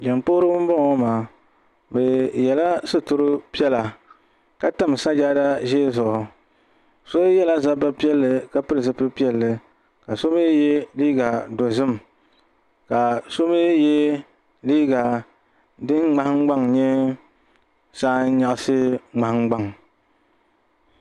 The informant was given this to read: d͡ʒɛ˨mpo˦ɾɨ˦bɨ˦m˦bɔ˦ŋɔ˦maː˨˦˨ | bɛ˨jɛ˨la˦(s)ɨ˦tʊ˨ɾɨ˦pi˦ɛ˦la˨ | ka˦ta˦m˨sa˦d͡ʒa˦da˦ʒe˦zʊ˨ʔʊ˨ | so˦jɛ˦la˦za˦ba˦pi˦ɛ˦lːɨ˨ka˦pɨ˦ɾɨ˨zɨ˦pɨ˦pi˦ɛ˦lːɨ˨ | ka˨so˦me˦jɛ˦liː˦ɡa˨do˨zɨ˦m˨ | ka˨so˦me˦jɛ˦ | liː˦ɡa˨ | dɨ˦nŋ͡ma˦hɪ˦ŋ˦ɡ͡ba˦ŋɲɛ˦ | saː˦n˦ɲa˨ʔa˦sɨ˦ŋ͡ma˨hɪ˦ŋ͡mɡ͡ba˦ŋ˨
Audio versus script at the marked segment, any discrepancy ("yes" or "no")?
no